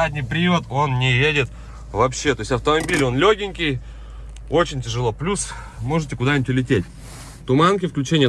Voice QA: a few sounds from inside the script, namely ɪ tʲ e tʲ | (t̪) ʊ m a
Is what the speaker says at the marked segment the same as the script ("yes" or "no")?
yes